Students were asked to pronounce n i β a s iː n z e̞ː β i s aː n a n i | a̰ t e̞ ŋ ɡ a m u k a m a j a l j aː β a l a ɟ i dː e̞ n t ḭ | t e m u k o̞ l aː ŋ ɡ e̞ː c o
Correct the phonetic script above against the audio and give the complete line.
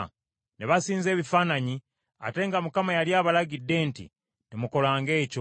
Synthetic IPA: n e β a s iː n z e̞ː β i f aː n a ɲ i | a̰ t e̞ ŋ ɡ a m u k a m a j a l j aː β a l a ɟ i dː e̞ n t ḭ | t e m u k o̞ l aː ŋ ɡ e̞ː c o